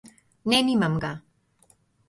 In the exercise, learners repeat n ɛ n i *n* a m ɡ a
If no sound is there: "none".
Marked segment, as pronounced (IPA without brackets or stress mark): m